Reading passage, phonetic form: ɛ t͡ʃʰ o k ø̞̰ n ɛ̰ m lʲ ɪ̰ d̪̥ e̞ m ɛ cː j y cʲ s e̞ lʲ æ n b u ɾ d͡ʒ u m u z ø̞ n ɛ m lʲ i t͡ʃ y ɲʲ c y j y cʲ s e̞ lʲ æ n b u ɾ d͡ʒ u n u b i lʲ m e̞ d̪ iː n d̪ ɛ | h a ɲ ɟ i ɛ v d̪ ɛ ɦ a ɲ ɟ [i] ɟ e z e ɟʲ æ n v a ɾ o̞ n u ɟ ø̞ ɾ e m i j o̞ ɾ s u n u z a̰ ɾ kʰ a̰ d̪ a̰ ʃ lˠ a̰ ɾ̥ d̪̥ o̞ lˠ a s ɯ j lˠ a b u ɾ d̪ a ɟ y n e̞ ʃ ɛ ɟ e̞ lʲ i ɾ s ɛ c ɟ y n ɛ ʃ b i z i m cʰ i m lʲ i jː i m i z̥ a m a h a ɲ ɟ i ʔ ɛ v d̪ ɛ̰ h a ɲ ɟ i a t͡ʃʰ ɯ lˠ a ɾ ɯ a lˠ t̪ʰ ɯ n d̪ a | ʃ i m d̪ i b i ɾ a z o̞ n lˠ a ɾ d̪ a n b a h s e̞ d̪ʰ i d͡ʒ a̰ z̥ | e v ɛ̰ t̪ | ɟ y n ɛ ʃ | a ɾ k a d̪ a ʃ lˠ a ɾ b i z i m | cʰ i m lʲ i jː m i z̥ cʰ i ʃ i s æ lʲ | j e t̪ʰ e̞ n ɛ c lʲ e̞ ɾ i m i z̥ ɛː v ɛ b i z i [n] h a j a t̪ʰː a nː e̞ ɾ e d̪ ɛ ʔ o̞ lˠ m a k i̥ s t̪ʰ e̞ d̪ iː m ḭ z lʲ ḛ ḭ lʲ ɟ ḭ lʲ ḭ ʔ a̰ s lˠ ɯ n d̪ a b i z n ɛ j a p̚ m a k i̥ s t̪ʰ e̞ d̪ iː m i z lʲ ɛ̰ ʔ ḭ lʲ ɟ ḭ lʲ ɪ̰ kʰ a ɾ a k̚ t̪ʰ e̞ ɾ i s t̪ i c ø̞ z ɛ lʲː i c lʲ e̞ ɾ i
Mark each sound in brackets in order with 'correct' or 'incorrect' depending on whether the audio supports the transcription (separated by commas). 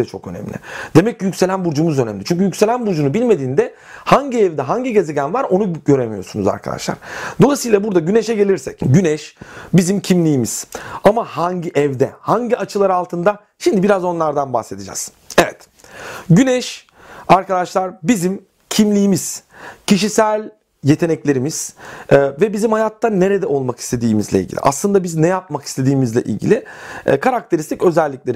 correct, incorrect